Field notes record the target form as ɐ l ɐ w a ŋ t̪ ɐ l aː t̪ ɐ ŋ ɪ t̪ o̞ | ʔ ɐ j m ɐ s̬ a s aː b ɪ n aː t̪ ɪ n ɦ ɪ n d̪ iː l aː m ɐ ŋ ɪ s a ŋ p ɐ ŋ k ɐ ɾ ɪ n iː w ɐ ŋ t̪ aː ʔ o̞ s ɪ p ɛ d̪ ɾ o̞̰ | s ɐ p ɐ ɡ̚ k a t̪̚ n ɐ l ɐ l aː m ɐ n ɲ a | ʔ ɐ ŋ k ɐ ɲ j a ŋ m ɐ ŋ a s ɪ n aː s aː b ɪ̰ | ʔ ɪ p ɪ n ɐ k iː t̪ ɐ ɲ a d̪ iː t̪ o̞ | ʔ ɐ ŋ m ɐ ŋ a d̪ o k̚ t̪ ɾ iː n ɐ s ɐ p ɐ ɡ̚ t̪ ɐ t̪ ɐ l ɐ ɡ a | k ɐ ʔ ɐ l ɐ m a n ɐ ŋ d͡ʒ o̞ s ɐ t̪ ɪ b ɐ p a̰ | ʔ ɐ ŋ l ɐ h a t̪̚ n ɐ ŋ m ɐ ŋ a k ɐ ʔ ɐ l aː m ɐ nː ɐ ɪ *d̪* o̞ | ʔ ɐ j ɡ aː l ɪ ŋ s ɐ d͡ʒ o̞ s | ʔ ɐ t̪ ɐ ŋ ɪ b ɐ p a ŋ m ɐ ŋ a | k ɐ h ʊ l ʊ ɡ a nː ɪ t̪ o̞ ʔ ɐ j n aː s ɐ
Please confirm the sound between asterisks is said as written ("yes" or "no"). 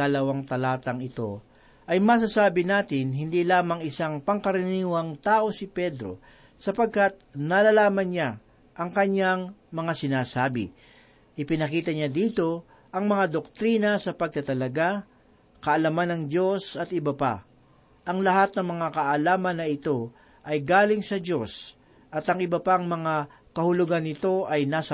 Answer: no